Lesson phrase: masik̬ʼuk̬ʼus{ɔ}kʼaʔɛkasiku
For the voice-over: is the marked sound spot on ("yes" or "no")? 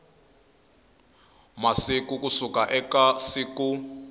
no